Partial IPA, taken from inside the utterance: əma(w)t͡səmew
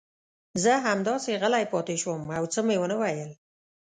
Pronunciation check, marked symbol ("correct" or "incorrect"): correct